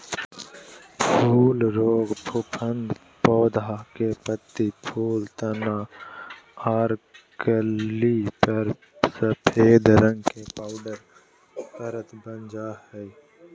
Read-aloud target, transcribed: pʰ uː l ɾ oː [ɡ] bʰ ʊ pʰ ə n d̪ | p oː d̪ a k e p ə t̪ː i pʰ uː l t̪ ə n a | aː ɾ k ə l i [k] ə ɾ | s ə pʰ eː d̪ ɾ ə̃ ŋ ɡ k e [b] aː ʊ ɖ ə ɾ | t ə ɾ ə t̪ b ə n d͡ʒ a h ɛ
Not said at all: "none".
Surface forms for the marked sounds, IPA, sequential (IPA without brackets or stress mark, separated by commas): ɡ, p, p